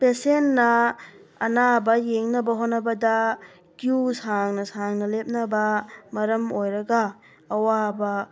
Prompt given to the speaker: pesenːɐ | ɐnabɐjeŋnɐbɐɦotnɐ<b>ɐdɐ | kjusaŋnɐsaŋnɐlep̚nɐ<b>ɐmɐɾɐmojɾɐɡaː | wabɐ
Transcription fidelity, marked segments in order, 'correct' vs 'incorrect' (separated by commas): correct, correct